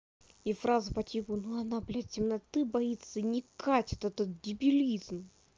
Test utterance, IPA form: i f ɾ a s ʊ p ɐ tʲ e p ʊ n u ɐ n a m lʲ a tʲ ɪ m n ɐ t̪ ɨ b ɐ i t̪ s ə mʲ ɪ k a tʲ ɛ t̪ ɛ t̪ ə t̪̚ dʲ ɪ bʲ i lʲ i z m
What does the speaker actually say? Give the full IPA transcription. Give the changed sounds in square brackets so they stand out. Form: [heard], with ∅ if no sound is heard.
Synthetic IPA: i f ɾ a [z] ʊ p ɐ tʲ [i] p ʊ n u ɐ n a [b] lʲ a tʲ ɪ m n ɐ t̪ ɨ b ɐ i t̪ s ə [nʲ] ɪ k a tʲ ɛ t̪ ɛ t̪ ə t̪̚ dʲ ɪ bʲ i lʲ i z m

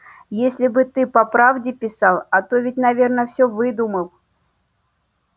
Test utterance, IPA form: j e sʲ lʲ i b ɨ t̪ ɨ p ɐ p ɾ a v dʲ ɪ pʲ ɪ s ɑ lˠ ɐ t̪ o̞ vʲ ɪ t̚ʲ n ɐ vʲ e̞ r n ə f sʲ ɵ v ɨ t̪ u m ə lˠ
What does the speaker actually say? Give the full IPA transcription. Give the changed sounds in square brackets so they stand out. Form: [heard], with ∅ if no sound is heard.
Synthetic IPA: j e sʲ lʲ [ɪ] b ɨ t̪ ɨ p ɐ p ɾ a v dʲ ɪ pʲ ɪ s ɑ lˠ ɐ t̪ o̞ vʲ ɪ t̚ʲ n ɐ vʲ e̞ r n ə f sʲ ɵ v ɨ [d̪] u m ə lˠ

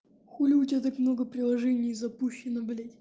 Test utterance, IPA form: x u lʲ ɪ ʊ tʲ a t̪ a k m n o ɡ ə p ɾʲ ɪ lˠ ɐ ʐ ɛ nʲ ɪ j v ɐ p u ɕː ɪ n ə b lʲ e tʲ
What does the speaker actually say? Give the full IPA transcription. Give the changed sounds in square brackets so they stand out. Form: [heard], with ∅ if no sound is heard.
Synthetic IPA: x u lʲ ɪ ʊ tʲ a t̪ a k m n o ɡ ə p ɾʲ ɪ lˠ ɐ ʐ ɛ nʲ ɪ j [z] ɐ p u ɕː ɪ n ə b lʲ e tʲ

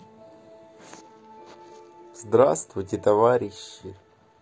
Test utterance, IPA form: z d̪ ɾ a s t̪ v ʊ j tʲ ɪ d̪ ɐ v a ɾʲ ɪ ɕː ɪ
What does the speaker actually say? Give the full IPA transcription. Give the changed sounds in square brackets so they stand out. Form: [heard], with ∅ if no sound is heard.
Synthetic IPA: z d̪ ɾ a s t̪ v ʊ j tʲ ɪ [t̪] ɐ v a ɾʲ ɪ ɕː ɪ

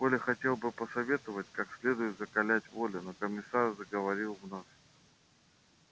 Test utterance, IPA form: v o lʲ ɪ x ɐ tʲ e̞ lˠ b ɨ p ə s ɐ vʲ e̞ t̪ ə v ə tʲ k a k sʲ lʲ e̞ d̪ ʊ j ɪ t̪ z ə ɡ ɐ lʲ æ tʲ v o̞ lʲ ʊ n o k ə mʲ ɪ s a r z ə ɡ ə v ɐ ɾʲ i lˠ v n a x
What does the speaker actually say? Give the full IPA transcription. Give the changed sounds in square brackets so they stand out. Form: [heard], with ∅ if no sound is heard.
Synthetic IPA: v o lʲ ɪ x ɐ tʲ e̞ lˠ b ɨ p ə s ɐ vʲ e̞ t̪ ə v ə tʲ k a k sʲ lʲ e̞ d̪ ʊ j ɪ t̪ z ə [k] ɐ lʲ æ tʲ v o̞ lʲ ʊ n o k ə mʲ ɪ s a r z ə ɡ ə v ɐ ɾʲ i lˠ v n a [s]

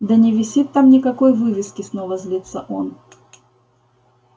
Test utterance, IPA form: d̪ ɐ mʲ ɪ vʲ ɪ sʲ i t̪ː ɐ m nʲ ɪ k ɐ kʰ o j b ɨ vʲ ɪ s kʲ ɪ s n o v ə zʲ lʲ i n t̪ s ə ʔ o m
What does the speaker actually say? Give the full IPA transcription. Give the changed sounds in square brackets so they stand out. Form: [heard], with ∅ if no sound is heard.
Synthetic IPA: d̪ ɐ [nʲ] ɪ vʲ ɪ sʲ i t̪ː [a] m nʲ ɪ k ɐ [k] o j [v] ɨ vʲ ɪ s kʲ ɪ s n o v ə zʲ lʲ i [∅] t̪ s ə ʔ o [n]

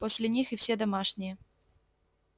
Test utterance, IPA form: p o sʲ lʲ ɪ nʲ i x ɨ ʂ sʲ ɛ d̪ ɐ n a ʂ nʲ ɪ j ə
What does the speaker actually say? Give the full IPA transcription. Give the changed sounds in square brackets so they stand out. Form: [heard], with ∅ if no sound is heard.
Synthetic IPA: p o sʲ lʲ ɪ nʲ i x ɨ [f] sʲ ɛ d̪ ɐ [m] a ʂ nʲ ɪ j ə

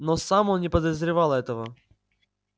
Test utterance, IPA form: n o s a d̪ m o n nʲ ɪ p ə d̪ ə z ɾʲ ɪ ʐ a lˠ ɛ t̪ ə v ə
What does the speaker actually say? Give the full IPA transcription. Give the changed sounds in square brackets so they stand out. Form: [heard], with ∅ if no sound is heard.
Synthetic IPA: n o s a [∅] m o n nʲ ɪ p ə d̪ ə z ɾʲ ɪ [v] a lˠ ɛ t̪ ə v ə

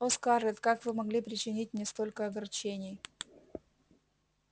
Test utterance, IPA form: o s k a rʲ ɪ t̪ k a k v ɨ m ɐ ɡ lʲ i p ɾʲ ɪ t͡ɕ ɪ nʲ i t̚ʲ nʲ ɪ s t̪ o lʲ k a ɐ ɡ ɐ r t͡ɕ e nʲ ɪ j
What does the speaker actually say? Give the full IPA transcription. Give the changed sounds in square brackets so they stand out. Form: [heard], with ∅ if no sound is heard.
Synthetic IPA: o s k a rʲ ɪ t̪ k a k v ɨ m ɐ ɡ lʲ i p ɾʲ ɪ t͡ɕ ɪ nʲ i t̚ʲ nʲ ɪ s t̪ o lʲ k [ə] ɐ ɡ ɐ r t͡ɕ e nʲ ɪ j

